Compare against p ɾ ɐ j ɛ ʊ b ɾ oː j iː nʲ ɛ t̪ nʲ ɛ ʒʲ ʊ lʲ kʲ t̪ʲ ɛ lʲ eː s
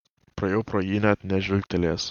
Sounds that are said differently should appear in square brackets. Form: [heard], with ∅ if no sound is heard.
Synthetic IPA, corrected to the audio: p ɾ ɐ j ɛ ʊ [p] ɾ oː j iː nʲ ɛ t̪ nʲ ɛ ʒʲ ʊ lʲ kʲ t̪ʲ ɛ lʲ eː s